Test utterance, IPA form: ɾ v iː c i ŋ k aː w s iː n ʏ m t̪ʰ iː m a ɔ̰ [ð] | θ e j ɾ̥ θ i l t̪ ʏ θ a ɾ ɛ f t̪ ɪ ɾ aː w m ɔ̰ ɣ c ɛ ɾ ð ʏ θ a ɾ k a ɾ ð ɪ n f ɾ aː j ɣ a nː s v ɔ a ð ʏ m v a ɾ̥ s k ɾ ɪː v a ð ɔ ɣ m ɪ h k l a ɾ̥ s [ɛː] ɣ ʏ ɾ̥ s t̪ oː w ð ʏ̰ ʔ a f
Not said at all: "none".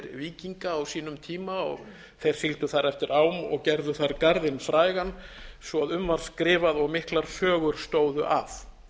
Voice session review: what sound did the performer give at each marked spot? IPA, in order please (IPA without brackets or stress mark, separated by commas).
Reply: ɣ, œː